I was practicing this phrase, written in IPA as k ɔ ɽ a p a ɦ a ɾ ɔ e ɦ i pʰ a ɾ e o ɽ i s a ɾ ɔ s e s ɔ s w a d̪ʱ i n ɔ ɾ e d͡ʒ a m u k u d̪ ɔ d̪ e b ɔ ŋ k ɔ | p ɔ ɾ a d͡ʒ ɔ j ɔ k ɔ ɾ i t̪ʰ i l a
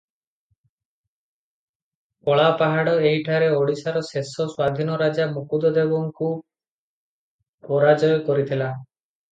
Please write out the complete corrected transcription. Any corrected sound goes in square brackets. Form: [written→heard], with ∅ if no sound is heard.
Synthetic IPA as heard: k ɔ [ɽ→ɭ] a p a ɦ a [ɾ→ɽ] ɔ e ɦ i [pʰ→ʈʰ] a ɾ e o ɽ i s a ɾ ɔ s e s ɔ s w a d̪ʱ i n ɔ ɾ [e→a] d͡ʒ a m u k u d̪ ɔ d̪ e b ɔ ŋ k [ɔ→u] | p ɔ ɾ a d͡ʒ ɔ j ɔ k ɔ ɾ i t̪ʰ i l a